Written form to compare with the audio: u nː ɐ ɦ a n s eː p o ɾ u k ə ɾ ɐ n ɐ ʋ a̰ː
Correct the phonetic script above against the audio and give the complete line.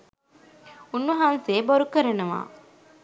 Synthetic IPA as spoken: u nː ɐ ɦ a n s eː b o ɾ u k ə ɾ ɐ n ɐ ʋ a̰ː